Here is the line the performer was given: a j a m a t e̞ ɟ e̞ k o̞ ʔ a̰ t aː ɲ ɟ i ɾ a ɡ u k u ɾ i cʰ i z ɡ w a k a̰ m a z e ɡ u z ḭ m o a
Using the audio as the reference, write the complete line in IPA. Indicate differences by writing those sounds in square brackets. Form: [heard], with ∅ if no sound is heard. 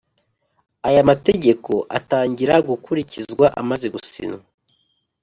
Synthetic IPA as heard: a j a m a t e̞ ɟ e̞ k o̞ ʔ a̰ t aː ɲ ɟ i ɾ a ɡ u k u ɾ i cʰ i z ɡ w a [ʔ] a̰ m a z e ɡ u [s] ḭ [n] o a